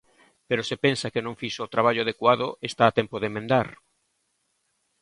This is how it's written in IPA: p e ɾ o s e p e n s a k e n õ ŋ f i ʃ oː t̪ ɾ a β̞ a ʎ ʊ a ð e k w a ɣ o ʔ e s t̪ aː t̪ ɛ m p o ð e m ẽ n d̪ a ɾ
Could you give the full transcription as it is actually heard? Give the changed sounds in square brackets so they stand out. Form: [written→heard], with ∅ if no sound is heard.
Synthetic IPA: p e ɾ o s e p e n s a k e n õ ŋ f i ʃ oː t̪ ɾ a β̞ a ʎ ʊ a ð e k w a [ɣ→ð] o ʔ e s t̪ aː t̪ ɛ m p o ð e m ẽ n d̪ a ɾ